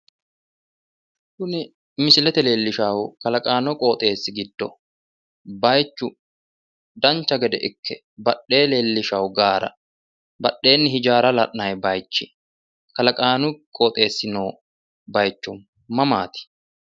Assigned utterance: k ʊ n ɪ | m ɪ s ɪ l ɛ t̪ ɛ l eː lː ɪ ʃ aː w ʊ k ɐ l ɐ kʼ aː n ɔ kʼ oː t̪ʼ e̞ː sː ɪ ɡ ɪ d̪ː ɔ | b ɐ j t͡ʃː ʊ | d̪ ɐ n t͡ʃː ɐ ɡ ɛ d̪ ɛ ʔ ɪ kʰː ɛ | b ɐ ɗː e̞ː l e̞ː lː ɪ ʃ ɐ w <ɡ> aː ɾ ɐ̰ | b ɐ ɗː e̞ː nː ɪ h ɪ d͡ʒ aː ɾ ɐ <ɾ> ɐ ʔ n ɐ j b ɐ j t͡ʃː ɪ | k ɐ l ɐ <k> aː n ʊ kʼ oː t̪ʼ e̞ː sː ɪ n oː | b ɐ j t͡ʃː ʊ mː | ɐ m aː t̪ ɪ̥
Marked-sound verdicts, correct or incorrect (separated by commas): correct, incorrect, incorrect